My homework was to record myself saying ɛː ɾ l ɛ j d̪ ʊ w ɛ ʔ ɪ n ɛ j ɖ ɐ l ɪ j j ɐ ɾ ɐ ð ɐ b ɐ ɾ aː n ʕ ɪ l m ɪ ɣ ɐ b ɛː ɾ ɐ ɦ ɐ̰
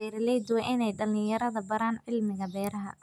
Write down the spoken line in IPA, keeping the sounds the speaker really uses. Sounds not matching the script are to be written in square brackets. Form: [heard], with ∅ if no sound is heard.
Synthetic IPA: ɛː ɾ l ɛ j d̪ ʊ w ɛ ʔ ɪ n ɛ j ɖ ɐ l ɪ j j ɐ ɾ ɐ ð ɐ b ɐ ɾ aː n ʕ ɪ l m ɪ ɣ ɐ b ɛː ɾ ɐ ɦ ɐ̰